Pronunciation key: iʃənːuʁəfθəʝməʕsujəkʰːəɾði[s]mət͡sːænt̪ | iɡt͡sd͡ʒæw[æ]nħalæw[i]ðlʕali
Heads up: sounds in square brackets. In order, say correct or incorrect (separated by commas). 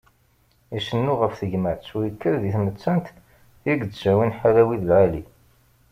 incorrect, incorrect, correct